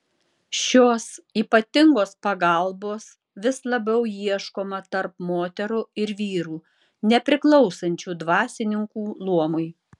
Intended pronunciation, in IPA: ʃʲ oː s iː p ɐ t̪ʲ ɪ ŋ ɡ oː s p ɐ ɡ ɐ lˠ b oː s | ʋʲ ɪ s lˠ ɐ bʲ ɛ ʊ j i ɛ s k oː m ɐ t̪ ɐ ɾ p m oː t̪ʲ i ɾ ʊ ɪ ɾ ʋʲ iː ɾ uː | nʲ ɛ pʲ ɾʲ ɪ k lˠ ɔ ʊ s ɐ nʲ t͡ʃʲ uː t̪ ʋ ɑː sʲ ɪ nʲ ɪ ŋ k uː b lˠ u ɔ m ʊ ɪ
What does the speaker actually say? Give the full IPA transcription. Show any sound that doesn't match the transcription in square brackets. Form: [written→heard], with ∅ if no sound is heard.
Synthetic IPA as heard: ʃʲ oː s iː p ɐ t̪ʲ ɪ ŋ ɡ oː s p ɐ ɡ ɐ lˠ b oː s | ʋʲ ɪ s lˠ ɐ bʲ ɛ ʊ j i ɛ [s→ʃ] k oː m ɐ t̪ ɐ ɾ p m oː t̪ʲ [i→ɛ] ɾ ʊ ɪ ɾ ʋʲ iː ɾ uː | nʲ ɛ pʲ ɾʲ ɪ k lˠ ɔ ʊ s ɐ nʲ t͡ʃʲ uː [t̪→d̪] ʋ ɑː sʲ ɪ nʲ ɪ ŋ k uː [b→∅] lˠ u ɔ m ʊ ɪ